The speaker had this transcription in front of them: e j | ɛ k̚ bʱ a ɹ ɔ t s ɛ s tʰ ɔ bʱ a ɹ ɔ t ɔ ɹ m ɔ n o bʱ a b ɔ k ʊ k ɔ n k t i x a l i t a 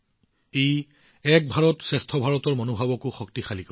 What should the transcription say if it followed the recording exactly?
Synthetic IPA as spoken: e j | ɛ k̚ bʱ a ɹ ɔ t s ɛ s tʰ ɔ bʱ a ɹ ɔ t ɔ ɹ m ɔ n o bʱ a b ɔ k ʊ x ɔ k t i x a l i k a